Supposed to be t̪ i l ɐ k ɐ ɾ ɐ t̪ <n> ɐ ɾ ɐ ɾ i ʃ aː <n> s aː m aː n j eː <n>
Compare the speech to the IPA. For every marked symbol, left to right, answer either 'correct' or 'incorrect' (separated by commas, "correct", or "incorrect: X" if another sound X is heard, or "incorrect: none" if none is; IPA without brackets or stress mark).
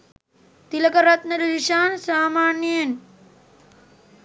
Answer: correct, correct, correct